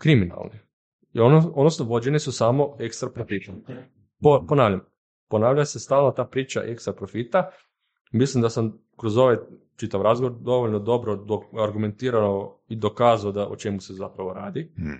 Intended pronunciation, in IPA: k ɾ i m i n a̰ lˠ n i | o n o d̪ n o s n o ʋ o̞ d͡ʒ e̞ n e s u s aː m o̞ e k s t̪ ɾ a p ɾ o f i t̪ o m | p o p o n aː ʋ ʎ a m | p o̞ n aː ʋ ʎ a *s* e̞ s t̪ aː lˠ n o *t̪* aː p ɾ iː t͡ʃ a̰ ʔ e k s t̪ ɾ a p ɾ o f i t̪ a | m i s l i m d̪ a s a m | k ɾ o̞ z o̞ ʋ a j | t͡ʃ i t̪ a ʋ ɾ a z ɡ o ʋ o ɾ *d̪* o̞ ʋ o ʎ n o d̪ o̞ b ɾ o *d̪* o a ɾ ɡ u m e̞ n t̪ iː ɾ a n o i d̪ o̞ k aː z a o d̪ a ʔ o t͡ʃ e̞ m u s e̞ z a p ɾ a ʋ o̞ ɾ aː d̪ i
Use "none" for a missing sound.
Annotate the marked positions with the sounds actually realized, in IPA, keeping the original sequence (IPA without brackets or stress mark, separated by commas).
s, t̪, d̪, d̪